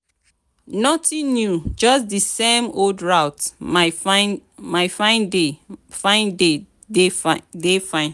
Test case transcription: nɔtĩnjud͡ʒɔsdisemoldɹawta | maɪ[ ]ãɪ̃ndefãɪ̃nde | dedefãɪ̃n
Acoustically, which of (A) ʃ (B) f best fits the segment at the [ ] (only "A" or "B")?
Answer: B